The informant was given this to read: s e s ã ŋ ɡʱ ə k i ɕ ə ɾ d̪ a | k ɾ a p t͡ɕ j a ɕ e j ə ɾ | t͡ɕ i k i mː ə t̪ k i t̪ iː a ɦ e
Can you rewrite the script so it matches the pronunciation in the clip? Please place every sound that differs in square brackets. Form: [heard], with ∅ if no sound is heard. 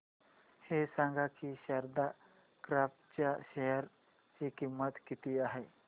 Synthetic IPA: [h] e s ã ŋ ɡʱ [a] k i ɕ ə ɾ d̪ a | k ɾ a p t͡ɕ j a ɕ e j ə ɾ | t͡ɕ i k i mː ə t̪ k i t̪ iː a ɦ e